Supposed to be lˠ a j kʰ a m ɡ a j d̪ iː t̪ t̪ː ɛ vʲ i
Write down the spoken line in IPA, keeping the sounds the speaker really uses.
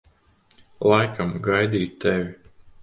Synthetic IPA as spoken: lˠ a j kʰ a m ɡ a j d̪ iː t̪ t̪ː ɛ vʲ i